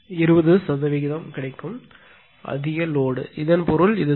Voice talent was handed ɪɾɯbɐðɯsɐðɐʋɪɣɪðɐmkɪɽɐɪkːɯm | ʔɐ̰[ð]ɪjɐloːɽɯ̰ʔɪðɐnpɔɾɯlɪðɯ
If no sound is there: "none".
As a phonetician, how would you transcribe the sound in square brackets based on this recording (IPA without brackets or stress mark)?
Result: ð